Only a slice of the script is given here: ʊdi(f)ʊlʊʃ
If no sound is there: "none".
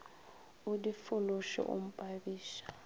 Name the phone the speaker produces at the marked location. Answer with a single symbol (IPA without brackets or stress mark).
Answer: f